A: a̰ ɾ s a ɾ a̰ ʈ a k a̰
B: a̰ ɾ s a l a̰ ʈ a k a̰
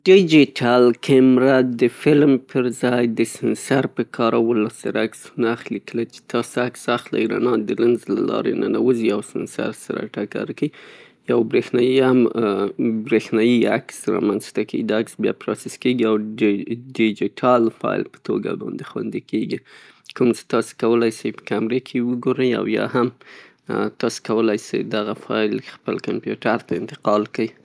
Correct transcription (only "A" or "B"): A